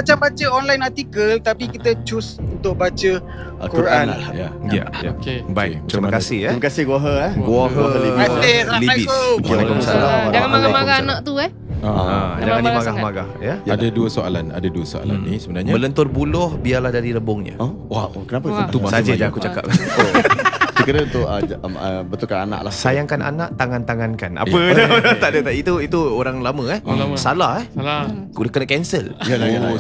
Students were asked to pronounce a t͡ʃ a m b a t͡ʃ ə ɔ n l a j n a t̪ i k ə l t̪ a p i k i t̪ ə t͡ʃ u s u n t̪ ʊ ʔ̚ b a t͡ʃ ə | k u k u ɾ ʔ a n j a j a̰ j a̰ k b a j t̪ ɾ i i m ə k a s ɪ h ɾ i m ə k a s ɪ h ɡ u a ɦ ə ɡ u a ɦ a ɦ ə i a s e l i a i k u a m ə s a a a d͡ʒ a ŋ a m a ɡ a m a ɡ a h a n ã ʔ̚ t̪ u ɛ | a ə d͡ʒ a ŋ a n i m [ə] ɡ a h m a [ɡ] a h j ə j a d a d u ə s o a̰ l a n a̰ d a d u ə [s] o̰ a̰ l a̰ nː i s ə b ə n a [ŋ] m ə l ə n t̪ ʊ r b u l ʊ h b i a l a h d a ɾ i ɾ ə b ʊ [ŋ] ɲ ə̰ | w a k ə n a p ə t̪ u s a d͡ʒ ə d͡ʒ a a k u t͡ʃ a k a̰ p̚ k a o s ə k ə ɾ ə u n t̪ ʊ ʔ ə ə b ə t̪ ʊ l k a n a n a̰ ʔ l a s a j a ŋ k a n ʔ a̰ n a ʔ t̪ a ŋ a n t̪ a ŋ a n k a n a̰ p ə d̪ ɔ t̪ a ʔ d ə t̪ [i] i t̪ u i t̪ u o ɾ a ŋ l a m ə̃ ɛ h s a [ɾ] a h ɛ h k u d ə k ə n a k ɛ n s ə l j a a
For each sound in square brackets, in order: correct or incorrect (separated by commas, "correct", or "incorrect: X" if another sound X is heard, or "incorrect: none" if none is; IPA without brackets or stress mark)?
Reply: incorrect: a, correct, correct, incorrect: ɲ, correct, incorrect: a, incorrect: l